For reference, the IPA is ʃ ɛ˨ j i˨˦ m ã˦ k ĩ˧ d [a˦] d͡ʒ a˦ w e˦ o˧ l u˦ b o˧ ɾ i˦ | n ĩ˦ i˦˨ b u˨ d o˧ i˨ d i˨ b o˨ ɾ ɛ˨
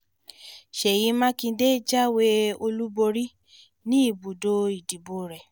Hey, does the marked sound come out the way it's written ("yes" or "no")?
no